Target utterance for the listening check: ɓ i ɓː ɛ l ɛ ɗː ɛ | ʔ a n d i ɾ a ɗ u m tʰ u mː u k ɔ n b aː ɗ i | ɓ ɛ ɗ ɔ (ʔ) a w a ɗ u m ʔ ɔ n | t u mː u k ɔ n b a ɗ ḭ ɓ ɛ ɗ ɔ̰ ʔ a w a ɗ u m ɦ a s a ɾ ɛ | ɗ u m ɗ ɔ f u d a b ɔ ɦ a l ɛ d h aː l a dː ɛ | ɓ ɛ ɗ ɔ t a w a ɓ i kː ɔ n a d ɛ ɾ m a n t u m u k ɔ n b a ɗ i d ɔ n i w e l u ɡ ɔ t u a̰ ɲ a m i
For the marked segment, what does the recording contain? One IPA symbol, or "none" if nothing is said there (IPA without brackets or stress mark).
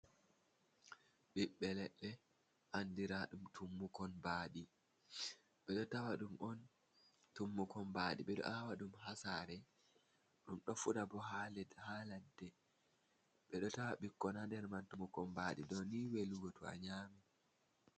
t